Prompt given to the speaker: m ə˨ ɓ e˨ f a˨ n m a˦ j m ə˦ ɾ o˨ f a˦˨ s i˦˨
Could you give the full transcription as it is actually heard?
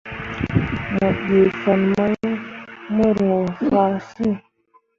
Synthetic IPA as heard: m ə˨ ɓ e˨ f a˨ n m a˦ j m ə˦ ɾ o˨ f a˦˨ s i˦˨